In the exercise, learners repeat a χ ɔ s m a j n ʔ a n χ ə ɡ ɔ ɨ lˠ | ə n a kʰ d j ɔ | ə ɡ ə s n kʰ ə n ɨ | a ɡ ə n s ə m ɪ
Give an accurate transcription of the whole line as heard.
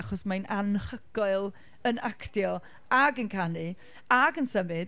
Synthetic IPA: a χ ɔ s m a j n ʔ a n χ ə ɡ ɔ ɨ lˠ | ə n a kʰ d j ɔ | a ɡ ə n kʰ a n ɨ | a ɡ ə n s ə m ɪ